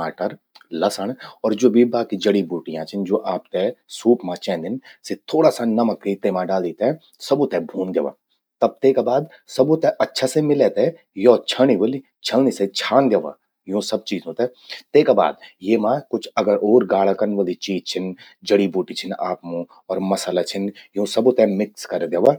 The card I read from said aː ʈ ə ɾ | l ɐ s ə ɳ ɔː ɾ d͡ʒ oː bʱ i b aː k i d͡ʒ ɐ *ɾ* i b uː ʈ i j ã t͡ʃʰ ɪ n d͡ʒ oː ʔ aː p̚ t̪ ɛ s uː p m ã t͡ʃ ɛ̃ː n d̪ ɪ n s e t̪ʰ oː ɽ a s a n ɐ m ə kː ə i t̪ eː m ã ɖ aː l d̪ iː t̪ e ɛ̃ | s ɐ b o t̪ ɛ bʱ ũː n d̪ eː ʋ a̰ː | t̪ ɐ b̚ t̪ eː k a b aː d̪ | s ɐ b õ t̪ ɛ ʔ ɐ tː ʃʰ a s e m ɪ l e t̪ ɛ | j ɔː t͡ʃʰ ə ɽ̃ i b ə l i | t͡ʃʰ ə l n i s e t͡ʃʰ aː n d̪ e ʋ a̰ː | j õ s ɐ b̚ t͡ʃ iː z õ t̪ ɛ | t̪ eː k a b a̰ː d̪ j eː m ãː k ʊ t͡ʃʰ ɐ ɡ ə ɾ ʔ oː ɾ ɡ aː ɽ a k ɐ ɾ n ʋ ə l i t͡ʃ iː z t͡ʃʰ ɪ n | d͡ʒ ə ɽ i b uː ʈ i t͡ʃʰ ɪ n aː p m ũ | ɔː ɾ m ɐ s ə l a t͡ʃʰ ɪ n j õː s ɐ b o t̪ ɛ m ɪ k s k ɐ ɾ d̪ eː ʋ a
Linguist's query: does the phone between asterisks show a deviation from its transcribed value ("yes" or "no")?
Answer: yes